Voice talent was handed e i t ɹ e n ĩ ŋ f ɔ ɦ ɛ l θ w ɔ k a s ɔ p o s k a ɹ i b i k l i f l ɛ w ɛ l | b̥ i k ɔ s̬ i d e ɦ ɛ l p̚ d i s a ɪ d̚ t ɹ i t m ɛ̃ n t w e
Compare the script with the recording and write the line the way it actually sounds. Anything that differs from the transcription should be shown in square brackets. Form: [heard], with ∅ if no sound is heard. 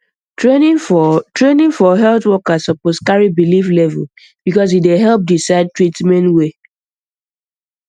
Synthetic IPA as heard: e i t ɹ e n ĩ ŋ f ɔ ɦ ɛ l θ w ɔ k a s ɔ p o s k a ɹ i b i [∅] l i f l ɛ [v] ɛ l | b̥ i k ɔ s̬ i d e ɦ ɛ l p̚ d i s a ɪ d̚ t ɹ i t m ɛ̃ n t w e